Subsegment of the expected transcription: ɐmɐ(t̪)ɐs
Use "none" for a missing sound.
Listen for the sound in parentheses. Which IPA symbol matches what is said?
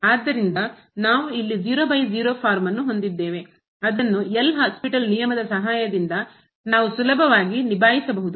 d̪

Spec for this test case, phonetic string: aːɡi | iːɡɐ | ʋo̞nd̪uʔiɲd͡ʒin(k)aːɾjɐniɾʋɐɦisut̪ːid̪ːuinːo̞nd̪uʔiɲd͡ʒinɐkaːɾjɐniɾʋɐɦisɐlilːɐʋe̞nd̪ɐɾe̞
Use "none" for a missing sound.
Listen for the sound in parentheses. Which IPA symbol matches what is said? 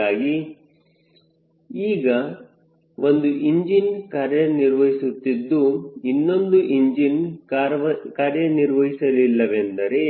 k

